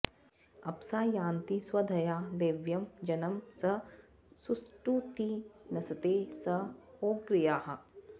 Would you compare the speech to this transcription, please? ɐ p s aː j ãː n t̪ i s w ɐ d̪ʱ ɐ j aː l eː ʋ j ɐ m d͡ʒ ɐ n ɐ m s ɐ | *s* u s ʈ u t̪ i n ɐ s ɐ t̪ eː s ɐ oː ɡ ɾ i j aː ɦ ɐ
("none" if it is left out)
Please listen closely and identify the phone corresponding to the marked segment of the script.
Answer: s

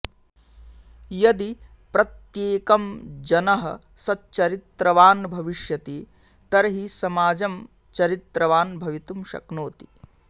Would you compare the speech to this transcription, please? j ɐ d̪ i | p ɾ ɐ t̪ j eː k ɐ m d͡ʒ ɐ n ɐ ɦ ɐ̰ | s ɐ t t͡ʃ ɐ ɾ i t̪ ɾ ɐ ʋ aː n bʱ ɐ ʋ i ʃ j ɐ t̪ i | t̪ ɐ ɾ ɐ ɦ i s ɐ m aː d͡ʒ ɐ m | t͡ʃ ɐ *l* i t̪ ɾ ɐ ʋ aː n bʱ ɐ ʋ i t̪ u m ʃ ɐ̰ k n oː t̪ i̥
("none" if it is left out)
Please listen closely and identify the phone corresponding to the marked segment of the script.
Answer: ɾ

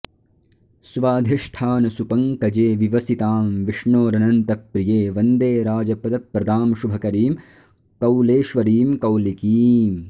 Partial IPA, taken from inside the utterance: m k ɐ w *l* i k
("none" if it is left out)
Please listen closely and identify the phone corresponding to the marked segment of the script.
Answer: l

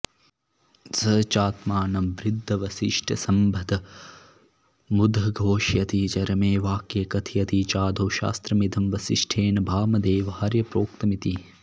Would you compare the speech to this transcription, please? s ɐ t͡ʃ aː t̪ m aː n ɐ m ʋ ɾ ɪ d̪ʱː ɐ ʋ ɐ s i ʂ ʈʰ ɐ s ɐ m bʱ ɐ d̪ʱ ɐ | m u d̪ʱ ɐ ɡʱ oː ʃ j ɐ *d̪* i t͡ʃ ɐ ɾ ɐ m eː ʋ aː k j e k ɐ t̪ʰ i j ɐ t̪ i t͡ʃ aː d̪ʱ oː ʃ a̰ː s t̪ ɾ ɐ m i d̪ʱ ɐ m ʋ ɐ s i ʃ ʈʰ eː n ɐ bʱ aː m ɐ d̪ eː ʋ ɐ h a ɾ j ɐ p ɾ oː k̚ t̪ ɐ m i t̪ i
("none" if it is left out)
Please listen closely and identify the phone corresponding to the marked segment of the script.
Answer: t̪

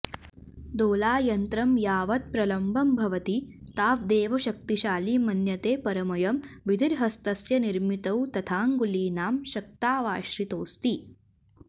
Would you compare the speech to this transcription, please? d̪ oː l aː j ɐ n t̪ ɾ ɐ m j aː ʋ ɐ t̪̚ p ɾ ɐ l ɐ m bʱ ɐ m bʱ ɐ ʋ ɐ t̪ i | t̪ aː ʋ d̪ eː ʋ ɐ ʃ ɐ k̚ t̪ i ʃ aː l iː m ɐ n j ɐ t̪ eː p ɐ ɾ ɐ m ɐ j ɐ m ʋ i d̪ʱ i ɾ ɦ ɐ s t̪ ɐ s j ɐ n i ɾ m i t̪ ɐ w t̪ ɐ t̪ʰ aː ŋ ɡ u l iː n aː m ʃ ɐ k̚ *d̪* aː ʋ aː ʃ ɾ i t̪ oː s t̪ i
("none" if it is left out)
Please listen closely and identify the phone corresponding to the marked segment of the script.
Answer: t̪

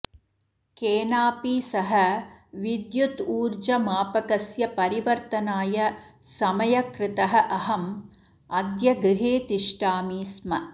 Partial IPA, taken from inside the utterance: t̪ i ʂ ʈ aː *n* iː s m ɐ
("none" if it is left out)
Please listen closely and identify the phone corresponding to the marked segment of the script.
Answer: m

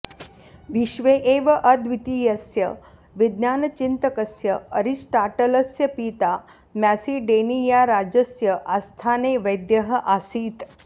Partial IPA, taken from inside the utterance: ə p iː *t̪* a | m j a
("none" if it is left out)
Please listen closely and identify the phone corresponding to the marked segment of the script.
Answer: t̪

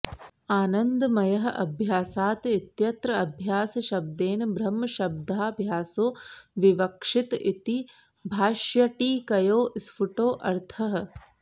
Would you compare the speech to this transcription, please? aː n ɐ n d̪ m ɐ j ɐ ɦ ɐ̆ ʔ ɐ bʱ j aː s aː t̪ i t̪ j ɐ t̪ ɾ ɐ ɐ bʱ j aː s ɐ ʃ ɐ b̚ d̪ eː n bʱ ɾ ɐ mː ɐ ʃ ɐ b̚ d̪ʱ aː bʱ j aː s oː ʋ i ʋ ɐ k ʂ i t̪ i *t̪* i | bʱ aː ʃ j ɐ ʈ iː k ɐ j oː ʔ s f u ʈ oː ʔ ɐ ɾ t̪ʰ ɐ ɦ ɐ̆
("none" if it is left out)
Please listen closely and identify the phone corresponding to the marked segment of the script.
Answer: t̪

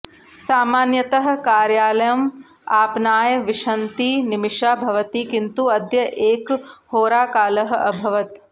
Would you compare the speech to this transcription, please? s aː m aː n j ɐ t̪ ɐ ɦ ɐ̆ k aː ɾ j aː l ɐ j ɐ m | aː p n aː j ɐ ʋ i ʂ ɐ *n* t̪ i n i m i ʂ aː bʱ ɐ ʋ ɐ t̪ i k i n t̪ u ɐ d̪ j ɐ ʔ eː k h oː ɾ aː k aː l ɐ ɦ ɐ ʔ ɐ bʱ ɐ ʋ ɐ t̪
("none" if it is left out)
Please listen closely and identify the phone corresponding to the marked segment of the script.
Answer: n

